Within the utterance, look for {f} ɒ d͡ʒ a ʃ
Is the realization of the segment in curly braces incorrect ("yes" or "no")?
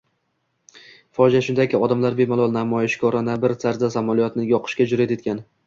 no